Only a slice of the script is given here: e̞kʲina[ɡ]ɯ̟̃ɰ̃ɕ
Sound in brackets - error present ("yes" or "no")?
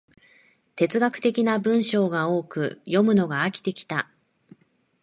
yes